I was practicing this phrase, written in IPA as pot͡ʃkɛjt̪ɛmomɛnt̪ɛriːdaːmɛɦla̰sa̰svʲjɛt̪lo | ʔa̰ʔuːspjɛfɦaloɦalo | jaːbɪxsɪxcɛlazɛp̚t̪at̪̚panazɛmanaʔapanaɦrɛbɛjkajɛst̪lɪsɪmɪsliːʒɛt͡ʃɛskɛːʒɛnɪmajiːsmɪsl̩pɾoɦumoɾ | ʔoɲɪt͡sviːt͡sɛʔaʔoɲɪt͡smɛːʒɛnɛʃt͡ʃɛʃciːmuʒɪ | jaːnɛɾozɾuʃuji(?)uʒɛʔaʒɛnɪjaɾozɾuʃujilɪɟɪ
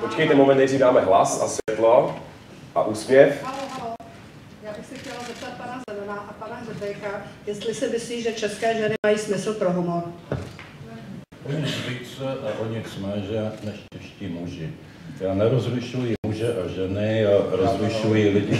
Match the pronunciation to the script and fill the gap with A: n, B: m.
B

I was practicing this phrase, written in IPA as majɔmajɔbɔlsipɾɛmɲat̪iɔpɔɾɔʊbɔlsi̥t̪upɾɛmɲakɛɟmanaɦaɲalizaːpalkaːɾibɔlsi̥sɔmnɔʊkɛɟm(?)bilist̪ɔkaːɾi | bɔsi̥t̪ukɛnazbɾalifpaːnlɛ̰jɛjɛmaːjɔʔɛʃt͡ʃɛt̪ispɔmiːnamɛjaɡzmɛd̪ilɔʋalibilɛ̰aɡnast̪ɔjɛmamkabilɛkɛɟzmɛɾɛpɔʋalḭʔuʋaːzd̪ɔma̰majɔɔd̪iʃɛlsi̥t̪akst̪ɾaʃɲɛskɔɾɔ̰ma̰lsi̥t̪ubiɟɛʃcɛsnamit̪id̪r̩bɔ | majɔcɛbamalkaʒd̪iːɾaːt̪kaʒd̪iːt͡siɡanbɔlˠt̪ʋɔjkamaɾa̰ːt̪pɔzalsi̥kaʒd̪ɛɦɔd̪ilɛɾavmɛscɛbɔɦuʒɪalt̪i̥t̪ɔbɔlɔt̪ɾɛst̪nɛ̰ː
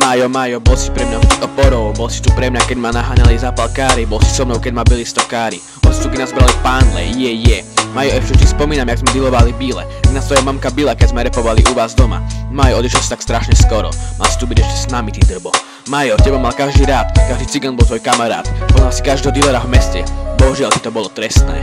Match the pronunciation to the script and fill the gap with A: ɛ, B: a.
B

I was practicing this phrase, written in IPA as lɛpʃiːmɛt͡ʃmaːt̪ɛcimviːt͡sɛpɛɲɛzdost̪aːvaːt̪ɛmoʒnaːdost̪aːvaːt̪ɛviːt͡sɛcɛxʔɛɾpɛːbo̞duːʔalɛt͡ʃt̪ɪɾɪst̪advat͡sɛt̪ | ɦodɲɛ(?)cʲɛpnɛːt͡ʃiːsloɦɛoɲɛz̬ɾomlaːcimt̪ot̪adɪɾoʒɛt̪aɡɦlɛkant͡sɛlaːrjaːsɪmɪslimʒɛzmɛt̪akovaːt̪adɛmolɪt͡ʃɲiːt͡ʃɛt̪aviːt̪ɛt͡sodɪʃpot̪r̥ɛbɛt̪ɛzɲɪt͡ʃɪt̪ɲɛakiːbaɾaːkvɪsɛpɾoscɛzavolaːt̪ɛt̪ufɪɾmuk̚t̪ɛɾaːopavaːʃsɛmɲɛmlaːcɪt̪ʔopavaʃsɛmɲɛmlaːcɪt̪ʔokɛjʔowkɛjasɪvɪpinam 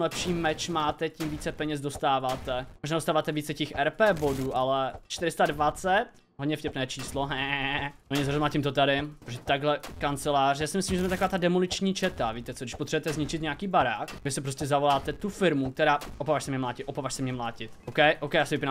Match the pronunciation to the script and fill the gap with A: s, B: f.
B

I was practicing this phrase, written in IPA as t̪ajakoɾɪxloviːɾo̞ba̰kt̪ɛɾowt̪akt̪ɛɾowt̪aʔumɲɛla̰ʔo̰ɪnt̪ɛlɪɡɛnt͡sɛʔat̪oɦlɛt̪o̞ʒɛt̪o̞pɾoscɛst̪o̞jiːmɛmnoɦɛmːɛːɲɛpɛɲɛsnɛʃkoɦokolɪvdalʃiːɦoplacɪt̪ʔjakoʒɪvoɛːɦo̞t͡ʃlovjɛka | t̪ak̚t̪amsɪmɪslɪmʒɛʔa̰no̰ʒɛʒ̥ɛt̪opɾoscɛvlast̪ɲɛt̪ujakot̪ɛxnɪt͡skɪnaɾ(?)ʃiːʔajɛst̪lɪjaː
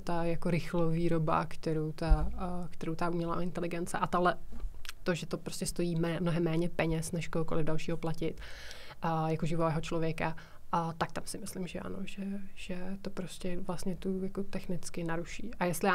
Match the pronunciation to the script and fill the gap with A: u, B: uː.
A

